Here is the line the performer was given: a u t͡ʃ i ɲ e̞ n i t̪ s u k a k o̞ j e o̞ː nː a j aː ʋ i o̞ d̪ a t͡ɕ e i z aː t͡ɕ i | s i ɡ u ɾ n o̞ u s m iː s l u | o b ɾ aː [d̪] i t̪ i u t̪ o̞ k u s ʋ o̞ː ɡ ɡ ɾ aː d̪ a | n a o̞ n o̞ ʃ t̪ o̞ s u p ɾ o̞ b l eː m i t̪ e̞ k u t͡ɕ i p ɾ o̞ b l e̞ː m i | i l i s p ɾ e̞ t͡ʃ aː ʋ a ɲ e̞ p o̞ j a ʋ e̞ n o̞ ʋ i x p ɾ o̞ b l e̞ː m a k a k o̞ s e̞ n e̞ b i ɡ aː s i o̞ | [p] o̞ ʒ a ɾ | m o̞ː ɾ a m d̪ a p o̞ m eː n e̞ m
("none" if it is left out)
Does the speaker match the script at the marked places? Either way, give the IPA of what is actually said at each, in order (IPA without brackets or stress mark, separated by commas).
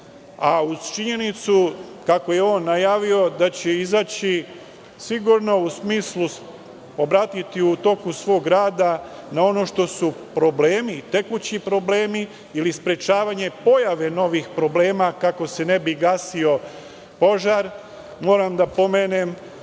t̪, p